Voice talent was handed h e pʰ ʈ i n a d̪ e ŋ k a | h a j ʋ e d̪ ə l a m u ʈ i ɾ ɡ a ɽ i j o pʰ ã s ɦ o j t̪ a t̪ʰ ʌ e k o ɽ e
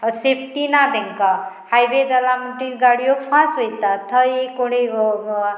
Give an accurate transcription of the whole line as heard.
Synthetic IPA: s e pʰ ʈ i n a d̪ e ŋ k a | h a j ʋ e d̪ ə l a m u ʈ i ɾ ɡ a ɽ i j o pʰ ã s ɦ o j t̪ a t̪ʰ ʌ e k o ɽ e